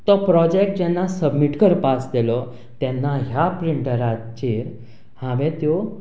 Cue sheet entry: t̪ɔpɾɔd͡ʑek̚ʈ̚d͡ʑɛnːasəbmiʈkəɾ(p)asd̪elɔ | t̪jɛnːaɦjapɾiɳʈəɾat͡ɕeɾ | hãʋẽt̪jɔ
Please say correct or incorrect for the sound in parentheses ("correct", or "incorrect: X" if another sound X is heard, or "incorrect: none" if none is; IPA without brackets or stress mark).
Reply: correct